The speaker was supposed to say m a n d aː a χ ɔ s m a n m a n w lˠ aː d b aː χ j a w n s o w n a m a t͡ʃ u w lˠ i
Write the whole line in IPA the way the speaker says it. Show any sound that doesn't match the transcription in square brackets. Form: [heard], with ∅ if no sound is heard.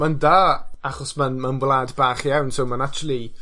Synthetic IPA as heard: m a n d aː a χ ɔ s m a n m a n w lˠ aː d b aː χ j a w n s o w [m] a [n] a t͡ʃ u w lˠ i